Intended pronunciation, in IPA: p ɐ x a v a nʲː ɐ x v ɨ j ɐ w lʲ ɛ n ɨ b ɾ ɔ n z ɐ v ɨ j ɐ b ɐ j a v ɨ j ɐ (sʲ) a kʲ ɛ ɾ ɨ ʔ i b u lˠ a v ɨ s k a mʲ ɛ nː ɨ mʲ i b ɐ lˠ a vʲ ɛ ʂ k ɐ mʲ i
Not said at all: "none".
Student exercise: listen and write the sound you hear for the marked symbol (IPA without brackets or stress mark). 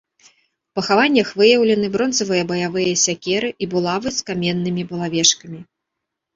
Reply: sʲ